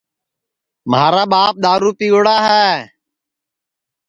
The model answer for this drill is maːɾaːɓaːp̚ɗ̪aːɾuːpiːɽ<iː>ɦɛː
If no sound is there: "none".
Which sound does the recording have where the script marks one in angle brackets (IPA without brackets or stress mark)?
aː